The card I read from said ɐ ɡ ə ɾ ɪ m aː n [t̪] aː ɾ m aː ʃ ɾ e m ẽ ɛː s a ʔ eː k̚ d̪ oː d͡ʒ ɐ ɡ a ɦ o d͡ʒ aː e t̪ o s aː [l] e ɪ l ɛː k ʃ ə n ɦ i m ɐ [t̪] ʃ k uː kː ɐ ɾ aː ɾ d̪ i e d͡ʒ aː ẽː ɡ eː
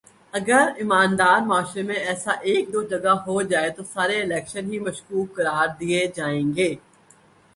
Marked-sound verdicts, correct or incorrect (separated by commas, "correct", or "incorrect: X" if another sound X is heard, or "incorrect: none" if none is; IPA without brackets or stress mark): incorrect: d̪, incorrect: ɾ, incorrect: none